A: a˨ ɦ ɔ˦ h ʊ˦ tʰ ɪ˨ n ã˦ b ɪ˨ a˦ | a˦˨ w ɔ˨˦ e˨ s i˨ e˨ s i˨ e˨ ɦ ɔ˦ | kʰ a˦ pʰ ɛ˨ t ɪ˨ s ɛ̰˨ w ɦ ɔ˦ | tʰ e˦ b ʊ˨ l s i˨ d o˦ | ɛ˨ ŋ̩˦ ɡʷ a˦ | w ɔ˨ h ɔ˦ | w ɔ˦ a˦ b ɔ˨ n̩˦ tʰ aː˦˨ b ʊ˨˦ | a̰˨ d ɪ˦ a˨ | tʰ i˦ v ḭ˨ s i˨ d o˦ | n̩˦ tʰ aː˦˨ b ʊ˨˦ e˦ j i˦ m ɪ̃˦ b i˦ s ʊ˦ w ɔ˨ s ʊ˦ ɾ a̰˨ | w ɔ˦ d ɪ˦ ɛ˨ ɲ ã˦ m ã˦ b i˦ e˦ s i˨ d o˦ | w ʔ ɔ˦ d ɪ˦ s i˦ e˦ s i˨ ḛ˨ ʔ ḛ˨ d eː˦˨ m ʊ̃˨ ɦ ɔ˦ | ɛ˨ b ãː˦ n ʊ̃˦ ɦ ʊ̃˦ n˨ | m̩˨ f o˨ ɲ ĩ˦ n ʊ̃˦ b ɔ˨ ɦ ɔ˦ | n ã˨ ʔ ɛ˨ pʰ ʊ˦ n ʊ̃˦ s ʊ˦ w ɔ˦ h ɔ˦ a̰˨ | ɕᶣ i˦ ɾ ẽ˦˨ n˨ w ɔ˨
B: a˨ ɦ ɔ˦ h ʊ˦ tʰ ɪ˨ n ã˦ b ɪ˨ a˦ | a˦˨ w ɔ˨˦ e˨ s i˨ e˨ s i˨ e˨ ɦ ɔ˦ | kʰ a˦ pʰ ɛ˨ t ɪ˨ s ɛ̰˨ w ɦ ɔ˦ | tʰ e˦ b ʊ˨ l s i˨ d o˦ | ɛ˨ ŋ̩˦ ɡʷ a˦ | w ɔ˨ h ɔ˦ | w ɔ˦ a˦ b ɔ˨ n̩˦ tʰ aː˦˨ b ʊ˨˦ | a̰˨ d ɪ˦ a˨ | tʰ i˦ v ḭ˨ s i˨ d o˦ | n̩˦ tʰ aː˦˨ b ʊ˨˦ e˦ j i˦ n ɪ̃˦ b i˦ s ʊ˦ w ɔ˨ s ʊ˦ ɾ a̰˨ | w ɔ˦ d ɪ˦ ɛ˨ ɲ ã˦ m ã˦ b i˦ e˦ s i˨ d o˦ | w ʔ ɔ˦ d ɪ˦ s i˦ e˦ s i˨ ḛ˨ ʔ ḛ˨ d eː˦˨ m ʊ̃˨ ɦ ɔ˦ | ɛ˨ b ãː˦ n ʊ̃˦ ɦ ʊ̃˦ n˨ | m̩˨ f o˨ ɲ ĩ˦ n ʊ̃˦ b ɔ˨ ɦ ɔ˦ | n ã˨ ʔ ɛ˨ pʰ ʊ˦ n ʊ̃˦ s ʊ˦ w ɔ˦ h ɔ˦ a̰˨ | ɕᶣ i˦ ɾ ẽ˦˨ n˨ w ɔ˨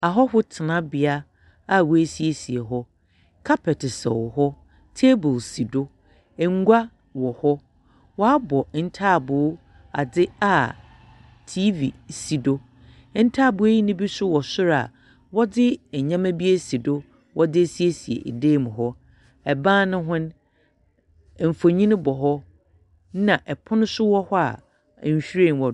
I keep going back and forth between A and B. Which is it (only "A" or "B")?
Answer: B